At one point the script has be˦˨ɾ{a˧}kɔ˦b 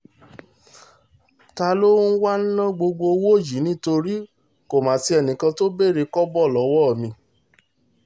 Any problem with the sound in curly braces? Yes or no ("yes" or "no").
yes